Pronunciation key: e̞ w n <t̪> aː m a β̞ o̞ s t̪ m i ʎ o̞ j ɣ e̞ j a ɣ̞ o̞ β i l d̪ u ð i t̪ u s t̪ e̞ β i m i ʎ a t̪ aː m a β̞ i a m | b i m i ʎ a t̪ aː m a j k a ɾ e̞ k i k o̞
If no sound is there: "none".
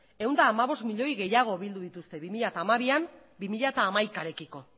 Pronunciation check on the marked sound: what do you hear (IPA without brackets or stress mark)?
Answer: d̪